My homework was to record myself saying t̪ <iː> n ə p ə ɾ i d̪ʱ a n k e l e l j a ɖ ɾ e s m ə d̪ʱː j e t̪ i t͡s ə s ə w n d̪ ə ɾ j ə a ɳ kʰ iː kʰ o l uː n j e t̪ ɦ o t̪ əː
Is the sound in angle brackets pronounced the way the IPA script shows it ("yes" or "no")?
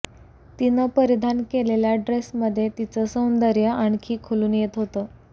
no